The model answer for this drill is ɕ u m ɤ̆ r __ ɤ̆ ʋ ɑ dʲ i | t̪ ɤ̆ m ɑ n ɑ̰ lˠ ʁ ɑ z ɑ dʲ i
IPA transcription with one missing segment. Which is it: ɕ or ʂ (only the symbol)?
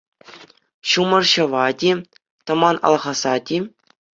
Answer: ɕ